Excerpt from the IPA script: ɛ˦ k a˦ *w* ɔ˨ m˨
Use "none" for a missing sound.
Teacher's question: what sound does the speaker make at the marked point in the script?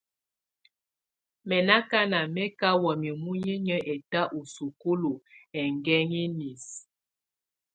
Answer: w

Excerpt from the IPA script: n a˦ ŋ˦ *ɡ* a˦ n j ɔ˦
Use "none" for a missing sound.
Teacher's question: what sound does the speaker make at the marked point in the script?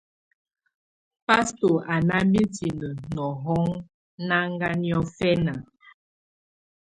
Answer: ɡ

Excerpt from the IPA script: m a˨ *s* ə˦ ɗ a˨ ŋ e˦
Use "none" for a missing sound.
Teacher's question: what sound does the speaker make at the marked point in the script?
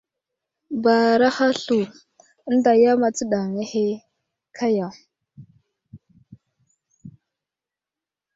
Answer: t͡s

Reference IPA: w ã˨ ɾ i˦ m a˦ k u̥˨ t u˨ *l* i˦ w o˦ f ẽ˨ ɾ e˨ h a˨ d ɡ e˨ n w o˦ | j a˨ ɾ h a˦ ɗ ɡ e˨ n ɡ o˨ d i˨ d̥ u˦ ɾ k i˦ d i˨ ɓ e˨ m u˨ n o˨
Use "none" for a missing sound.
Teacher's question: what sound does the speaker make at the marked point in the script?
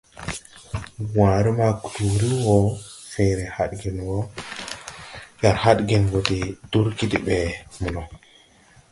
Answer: ɾ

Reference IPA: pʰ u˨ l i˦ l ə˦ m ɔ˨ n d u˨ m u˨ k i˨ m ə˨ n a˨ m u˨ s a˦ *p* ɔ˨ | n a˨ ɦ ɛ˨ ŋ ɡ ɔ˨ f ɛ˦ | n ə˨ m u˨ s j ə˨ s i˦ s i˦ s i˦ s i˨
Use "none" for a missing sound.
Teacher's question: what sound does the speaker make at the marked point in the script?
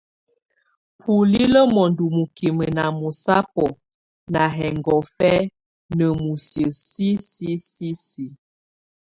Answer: p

